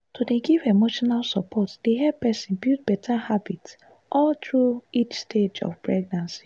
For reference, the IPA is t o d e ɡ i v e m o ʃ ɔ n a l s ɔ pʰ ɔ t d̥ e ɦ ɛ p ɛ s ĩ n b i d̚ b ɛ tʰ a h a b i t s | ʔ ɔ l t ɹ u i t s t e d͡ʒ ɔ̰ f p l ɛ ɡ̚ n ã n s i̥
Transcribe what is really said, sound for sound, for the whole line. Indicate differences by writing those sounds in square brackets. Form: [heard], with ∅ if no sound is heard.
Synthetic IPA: t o d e ɡ i v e m o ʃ ɔ n a l s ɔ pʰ ɔ t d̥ e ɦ ɛ p ɛ s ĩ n b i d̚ b ɛ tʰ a h a b i t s | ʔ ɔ l t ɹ u i [t͡ʃ] s t e d͡ʒ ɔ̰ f p [ɹ] ɛ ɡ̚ n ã n s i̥